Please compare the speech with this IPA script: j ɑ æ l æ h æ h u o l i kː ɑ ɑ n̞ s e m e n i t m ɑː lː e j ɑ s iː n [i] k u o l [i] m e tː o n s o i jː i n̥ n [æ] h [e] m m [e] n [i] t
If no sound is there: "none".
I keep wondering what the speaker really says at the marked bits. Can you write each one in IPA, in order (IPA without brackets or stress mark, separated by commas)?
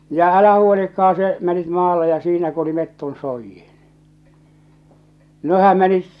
æ, i, e, æ, e, i